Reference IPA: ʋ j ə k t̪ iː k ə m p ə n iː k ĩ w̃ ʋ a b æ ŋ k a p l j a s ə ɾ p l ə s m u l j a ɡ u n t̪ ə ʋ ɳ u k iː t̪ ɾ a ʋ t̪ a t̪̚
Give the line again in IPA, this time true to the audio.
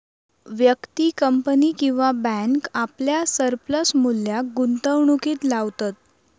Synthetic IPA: ʋ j ə k t̪ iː k ə m p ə n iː k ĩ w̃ ʋ a b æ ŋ k a p l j a s ə ɾ p l ə s m u l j a ɡ u n t̪ ə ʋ ɳ u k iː t̪ l a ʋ t̪ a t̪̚